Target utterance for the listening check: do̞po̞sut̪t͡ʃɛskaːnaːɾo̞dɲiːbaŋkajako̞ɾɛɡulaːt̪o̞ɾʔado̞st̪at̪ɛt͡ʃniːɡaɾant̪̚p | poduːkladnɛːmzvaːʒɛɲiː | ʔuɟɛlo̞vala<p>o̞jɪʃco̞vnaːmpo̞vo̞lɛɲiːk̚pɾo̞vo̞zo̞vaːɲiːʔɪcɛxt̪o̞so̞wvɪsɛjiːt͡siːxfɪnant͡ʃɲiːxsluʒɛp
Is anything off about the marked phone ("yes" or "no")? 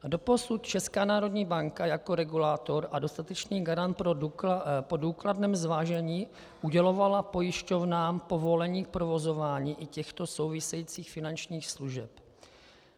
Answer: no